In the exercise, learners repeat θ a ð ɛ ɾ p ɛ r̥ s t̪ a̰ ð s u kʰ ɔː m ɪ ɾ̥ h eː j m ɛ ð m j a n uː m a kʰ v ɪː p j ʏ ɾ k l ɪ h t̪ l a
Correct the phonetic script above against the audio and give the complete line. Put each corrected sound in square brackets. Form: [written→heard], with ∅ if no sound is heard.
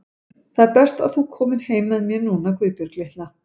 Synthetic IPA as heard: θ a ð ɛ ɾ p ɛ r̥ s t̪ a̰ ð [s→θ] u kʰ ɔː m ɪ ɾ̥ h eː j m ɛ ð m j [a→ɛ] n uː [m→n] a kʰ v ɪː p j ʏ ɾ k l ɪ h t̪ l a